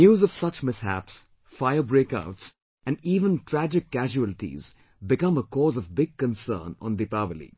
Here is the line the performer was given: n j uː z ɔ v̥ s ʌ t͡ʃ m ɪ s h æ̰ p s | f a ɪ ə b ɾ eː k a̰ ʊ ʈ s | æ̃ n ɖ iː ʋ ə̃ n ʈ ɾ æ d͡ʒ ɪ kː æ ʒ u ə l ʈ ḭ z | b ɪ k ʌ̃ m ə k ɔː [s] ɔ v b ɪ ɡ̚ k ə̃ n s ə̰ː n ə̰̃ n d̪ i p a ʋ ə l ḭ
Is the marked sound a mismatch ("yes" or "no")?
yes